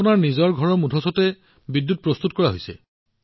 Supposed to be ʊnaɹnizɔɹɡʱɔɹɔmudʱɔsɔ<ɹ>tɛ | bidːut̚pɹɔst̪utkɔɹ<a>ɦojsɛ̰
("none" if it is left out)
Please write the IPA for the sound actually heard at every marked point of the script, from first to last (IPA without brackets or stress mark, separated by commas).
none, a